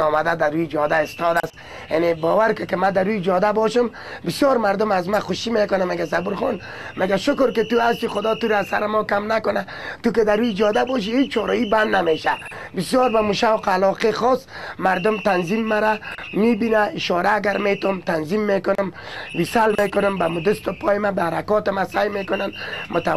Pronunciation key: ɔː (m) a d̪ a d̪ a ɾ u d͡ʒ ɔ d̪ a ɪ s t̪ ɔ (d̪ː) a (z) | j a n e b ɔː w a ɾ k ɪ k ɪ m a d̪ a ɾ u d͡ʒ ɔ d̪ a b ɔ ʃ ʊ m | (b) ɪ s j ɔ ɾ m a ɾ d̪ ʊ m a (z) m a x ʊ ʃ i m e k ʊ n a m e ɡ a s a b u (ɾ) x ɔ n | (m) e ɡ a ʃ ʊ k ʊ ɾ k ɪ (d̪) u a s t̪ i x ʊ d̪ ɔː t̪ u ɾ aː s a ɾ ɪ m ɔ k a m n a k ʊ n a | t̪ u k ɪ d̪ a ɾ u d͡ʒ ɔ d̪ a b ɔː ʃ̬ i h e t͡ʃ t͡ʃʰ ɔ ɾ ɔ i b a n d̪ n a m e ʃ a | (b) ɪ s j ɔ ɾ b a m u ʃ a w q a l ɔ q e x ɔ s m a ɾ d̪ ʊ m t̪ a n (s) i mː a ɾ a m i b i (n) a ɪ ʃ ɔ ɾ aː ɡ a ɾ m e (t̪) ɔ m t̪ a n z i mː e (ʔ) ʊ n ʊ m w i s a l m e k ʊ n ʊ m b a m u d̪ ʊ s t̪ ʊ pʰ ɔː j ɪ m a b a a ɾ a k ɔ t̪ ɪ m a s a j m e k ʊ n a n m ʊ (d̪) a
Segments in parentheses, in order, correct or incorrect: correct, incorrect, incorrect, correct, correct, correct, correct, incorrect, correct, incorrect, correct, correct, incorrect, incorrect

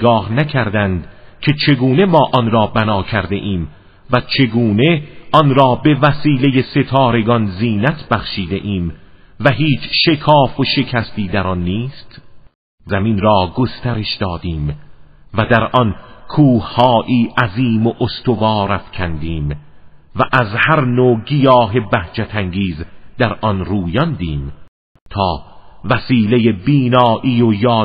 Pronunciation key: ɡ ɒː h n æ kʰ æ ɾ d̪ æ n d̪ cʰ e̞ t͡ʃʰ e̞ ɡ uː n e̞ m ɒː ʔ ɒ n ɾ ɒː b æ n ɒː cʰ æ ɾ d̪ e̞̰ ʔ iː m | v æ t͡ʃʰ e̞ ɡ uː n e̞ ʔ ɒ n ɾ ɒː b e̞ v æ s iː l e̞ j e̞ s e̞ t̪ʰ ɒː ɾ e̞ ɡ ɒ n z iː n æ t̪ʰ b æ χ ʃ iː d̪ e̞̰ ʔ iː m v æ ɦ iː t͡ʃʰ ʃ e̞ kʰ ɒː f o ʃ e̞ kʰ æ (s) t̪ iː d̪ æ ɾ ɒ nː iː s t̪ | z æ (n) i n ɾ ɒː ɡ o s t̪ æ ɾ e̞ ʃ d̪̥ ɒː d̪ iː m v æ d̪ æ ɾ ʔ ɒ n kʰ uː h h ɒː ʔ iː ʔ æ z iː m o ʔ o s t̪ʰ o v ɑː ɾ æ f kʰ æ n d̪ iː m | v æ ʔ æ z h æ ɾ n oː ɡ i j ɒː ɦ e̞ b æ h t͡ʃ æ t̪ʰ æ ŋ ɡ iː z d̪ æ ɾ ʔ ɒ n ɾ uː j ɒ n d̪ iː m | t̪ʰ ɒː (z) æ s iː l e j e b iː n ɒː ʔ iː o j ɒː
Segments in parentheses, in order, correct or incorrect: correct, incorrect, incorrect

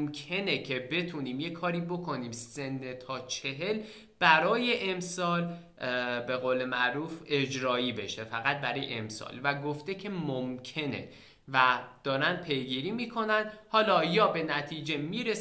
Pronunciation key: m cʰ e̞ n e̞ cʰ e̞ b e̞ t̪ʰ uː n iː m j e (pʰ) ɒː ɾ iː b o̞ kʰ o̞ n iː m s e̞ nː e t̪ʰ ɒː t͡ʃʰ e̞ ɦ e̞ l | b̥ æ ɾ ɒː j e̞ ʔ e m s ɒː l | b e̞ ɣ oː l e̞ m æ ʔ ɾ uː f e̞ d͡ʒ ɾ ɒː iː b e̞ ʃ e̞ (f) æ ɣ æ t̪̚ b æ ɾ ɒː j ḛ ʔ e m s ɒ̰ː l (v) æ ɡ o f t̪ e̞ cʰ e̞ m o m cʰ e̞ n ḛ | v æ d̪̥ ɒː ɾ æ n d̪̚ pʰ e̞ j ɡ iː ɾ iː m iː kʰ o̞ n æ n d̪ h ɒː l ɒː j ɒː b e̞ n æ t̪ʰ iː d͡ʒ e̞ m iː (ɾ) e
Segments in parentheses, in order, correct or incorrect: incorrect, correct, correct, correct

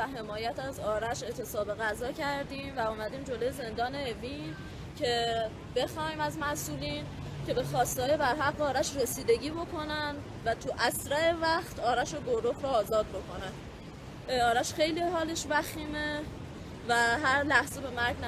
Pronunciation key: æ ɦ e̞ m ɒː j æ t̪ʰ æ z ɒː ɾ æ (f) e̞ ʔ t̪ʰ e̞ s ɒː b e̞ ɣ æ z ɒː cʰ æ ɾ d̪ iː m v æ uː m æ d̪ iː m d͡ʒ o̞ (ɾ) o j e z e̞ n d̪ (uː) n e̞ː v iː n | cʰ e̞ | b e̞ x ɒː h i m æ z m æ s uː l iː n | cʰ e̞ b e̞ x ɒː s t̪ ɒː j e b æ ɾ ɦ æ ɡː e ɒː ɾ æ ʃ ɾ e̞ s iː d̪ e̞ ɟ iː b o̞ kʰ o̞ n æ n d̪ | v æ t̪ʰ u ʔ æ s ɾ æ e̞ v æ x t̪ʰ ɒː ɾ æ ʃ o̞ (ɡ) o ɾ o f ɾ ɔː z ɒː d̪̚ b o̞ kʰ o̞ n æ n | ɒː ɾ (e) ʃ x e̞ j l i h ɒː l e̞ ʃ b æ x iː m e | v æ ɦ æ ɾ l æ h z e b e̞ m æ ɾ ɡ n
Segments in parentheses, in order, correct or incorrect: incorrect, incorrect, incorrect, correct, incorrect

